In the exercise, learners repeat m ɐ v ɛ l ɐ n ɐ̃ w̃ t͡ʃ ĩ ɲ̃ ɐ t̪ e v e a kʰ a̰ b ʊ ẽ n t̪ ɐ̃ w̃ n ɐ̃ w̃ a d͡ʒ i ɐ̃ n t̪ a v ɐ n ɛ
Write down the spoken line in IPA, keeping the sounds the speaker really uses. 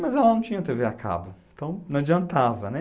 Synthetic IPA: m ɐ z ɛ l ɐ n ɐ̃ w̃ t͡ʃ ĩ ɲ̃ ɐ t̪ e v e a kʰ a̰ b ʊ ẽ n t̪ ɐ̃ w̃ n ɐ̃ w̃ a d͡ʒ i ɐ̃ n t̪ a v ɐ n ɛ